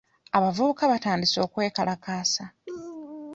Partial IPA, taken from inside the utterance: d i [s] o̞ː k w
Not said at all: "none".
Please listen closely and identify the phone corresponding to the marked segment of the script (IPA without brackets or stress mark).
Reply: s